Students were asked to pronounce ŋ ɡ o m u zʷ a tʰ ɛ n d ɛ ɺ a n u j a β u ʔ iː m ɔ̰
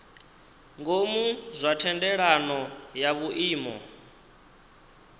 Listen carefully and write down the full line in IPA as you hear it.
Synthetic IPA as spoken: ŋ ɡ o m u zʷ a tʰ ɛ n d ɛ ɺ a n ɔ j a β u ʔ iː m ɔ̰